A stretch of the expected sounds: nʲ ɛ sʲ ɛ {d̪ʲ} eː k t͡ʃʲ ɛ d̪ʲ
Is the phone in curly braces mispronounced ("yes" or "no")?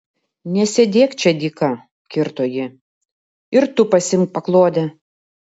no